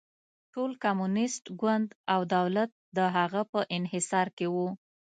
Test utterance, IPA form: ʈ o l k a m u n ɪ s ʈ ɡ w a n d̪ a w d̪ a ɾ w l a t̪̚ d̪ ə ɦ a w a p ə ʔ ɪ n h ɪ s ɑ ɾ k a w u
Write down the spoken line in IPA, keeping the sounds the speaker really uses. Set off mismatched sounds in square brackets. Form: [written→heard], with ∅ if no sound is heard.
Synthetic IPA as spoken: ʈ o l k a m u n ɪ s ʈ ɡ w a n d̪ a w d̪ a [ɾ→∅] w l a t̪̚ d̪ ə ɦ a [w→ɣ] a p ə ʔ ɪ n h ɪ s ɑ ɾ k [a→e] w u